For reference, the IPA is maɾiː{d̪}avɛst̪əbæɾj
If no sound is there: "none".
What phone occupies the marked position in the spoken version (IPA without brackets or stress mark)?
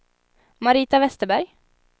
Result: t̪